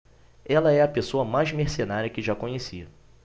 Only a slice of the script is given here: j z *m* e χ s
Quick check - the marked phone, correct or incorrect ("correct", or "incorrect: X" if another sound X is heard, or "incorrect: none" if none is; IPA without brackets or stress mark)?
correct